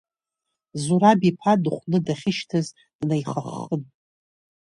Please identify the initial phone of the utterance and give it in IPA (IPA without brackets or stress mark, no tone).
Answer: z